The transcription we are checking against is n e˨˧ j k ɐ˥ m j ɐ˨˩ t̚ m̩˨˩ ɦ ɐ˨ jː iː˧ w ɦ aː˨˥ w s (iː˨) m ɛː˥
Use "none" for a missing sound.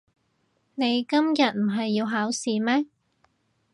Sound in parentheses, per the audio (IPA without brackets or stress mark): iː˨